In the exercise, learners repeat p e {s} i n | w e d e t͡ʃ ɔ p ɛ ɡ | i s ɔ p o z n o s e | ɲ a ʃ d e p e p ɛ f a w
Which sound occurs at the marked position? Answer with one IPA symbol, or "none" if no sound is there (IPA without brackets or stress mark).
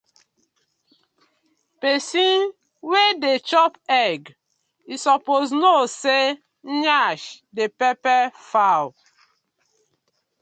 s